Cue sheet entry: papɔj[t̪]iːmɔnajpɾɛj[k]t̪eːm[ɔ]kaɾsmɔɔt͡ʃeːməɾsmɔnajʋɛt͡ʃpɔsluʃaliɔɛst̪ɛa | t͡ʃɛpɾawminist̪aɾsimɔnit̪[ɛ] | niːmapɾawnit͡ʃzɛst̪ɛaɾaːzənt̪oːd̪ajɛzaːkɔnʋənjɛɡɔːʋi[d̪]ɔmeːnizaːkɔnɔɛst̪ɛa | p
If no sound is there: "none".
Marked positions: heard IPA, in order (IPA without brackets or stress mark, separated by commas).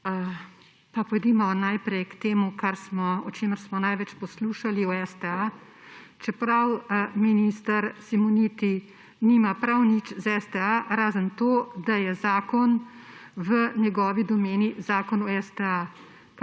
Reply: d̪, k, u, i, d̪